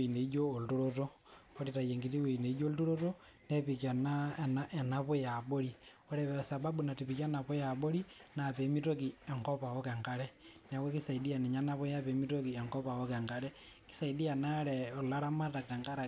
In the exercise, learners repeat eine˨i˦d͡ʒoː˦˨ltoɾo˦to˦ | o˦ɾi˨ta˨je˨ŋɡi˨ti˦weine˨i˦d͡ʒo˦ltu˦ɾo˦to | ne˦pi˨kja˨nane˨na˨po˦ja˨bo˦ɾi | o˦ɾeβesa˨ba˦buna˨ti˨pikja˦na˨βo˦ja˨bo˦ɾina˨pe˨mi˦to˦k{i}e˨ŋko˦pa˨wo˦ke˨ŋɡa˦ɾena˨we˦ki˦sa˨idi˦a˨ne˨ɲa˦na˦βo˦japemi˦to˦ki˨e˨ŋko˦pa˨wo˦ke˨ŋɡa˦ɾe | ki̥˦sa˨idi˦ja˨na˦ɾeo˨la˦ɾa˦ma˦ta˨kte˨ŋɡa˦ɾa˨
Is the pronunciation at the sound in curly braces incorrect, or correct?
correct